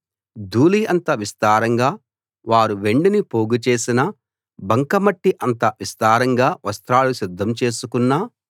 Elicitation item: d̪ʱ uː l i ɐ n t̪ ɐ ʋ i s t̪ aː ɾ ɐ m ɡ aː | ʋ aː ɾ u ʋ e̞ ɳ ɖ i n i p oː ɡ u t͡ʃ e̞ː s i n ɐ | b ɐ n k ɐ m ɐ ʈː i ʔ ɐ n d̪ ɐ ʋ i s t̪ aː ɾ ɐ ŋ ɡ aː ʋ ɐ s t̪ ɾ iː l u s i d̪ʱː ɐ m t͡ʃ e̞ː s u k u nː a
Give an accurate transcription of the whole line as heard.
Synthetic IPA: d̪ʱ uː l i ɐ n t̪ ɐ ʋ i s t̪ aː ɾ ɐ ŋ ɡ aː | ʋ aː ɾ u ʋ e̞ ɳ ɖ i n i p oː ɡ u t͡ʃ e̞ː s i n ɐ | b ɐ ŋ k ɐ m ɐ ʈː i ʔ ɐ n t̪ ɐ ʋ i s t̪ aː ɾ ɐ ŋ ɡ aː ʋ ɐ s t̪ ɾ aː l u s i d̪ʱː ɐ m t͡ʃ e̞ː s u k u nː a